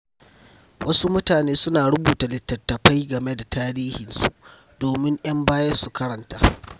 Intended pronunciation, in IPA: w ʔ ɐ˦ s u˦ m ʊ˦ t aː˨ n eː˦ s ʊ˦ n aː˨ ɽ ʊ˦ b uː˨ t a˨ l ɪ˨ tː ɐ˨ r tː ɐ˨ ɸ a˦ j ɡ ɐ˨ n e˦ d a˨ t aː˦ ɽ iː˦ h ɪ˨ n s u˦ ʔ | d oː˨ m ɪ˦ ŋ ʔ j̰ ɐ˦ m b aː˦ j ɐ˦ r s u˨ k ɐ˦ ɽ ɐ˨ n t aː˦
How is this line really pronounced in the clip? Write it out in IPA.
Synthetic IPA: w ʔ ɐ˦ s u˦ m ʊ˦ t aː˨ n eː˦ s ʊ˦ n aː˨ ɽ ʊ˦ b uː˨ t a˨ l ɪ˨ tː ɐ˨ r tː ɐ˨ ɸ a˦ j ɡ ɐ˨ m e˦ d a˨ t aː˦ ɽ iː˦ h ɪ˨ n s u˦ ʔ | d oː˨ m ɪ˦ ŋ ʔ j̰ ɐ˦ m b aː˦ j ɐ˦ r s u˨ k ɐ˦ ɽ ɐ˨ n t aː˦